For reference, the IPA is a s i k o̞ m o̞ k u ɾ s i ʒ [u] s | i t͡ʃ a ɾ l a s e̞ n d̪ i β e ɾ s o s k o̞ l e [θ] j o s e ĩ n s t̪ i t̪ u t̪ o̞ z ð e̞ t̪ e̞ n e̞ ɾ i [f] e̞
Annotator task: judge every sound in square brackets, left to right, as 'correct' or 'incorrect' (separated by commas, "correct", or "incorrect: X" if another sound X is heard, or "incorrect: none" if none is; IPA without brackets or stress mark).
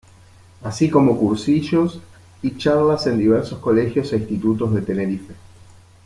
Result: incorrect: o, incorrect: x, correct